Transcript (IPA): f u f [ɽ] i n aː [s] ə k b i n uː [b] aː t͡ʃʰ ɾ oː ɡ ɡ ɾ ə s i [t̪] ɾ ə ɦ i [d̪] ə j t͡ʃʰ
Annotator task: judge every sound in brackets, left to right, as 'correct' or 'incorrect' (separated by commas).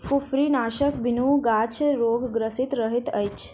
incorrect, incorrect, incorrect, correct, incorrect